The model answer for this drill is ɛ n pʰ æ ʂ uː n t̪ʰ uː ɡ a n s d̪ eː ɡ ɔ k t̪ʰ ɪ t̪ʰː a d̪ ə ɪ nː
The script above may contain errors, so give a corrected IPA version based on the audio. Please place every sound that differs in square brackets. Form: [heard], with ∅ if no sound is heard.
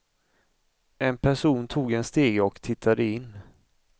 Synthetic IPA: ɛ n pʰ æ ʂ uː n t̪ʰ uː ɡ [ɛ] n s [t̪] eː ɡ ɔ k t̪ʰ ɪ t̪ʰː a d̪ ə ɪ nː